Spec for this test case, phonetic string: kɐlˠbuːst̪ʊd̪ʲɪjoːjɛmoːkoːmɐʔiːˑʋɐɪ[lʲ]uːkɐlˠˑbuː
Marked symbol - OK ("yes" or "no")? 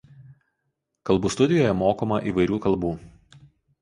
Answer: no